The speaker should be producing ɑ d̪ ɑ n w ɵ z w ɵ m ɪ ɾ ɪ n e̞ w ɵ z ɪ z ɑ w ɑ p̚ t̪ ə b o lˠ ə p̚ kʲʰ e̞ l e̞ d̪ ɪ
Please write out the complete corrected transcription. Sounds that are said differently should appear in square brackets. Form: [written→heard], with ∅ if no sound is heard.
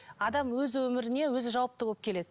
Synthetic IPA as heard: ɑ d̪ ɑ [n→m] w ɵ z w ɵ m ɪ ɾ ɪ n e̞ w ɵ z ɪ [z→ʒ] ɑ w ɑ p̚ t̪ ə b o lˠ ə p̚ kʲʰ e̞ l e̞ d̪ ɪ